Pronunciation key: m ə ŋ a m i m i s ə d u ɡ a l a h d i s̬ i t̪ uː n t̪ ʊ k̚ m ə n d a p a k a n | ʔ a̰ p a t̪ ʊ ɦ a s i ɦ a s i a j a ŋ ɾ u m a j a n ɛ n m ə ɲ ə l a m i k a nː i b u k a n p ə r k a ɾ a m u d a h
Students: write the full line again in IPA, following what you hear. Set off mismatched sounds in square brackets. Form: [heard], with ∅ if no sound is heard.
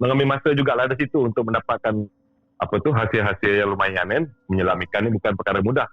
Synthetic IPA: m ə ŋ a m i m [a] s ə [d͡ʒ] u ɡ a l a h d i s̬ i t̪ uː n t̪ ʊ k̚ m ə n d a p a k a n | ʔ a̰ p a t̪ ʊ ɦ a s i ɦ a s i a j a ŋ [l] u m a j a n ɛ n m ə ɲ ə l a m i k a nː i b u k a n p ə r k a ɾ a m u d a h